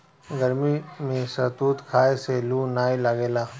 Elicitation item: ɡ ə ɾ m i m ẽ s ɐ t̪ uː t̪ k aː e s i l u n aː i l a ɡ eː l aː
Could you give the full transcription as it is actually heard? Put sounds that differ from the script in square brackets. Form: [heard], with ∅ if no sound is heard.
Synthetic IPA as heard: ɡ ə ɾ m i m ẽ s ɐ t̪ uː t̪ [kʰ] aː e s [e] l u n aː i l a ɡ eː l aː